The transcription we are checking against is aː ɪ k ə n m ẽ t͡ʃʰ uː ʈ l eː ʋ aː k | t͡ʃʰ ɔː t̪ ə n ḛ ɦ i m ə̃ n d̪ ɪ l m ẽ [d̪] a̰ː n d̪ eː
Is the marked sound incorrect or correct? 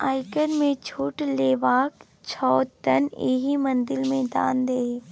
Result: correct